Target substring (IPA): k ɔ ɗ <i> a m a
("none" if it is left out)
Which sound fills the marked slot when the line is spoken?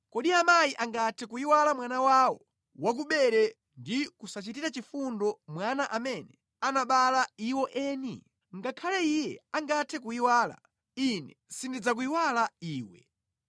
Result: i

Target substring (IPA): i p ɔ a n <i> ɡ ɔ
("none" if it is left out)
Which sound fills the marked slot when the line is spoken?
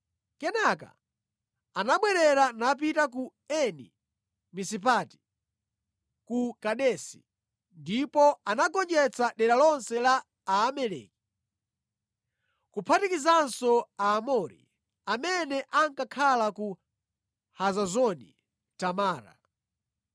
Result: a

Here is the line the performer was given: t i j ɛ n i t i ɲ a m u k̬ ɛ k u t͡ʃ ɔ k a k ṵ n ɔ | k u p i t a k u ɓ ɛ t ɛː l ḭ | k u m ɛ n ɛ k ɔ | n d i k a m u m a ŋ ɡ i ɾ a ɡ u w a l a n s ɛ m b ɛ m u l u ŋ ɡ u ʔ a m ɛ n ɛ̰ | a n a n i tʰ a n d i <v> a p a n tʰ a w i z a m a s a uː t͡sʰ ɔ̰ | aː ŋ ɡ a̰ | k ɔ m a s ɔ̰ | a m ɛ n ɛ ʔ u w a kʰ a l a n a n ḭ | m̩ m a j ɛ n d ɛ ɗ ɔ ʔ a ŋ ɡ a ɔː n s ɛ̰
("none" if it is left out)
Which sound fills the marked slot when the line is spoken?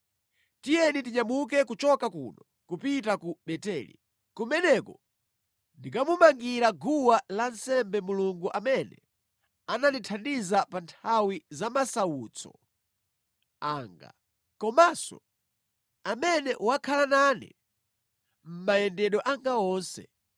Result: z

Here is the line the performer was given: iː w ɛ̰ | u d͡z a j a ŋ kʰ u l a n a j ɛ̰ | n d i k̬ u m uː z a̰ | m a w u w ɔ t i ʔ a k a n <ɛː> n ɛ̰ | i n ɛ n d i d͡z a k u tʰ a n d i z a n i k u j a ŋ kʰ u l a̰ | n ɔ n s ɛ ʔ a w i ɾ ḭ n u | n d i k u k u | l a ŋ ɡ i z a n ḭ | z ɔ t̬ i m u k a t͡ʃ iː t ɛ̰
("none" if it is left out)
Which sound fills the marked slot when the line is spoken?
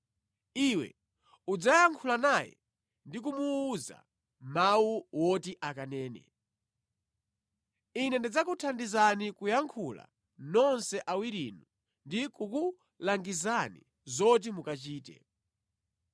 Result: ɛː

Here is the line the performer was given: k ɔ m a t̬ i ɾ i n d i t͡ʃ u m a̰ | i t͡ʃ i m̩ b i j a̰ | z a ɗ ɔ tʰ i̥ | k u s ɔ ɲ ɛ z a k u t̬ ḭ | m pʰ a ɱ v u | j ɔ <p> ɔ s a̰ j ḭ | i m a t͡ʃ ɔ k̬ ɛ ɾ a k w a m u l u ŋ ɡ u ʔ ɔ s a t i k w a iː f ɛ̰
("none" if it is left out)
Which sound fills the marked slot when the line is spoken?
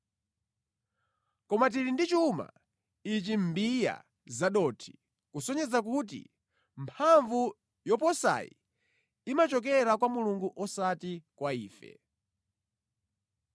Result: p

